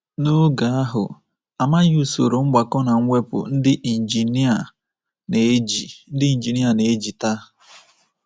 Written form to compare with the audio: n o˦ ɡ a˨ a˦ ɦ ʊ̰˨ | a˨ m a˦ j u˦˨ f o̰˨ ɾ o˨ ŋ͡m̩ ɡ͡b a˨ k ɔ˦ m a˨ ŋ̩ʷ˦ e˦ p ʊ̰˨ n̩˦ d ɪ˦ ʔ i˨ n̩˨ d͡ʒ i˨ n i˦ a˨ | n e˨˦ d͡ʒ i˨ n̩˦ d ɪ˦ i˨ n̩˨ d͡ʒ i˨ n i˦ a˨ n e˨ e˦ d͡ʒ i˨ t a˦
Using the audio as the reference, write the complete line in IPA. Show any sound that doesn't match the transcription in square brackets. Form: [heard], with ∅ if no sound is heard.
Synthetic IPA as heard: n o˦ ɡ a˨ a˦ ɦ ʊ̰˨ | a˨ m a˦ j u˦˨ [s] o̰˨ ɾ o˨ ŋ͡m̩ ɡ͡b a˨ k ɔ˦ [n] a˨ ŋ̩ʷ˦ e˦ p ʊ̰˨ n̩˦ d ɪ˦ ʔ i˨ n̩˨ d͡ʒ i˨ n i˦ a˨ | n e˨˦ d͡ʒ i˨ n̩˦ d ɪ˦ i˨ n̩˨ d͡ʒ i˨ n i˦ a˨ n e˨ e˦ d͡ʒ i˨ t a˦